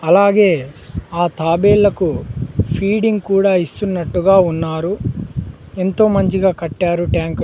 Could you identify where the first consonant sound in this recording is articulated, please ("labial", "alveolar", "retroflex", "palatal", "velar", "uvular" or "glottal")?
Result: alveolar